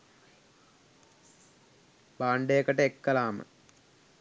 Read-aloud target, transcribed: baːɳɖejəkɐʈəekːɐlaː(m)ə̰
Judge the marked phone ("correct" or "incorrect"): correct